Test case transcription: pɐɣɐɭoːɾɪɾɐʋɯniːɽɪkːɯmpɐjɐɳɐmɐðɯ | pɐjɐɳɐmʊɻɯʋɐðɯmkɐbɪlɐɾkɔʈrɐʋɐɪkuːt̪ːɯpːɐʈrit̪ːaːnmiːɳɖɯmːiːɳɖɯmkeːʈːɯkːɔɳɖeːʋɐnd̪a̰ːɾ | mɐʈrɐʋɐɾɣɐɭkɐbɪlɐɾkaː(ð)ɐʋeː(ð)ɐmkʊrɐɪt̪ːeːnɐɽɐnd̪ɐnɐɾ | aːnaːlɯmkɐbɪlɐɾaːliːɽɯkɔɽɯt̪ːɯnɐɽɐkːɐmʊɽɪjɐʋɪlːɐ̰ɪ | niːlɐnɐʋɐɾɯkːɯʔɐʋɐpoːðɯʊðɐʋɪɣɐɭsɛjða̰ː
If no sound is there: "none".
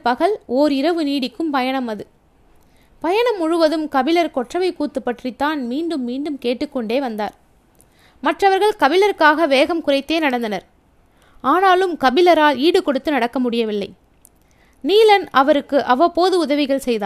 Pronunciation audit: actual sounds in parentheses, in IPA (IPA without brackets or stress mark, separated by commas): ɣ, ɣ